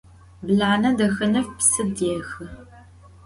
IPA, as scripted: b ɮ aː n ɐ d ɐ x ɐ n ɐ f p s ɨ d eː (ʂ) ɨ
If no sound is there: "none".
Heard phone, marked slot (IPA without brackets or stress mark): x